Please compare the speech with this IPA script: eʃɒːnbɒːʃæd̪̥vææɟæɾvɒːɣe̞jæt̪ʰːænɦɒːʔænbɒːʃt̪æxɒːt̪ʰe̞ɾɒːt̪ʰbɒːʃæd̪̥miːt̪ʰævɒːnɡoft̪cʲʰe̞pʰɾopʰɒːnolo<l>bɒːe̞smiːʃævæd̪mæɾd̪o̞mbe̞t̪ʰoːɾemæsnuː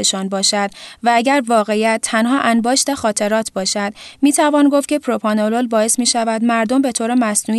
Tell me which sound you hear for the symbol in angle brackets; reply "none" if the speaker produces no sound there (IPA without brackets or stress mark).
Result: l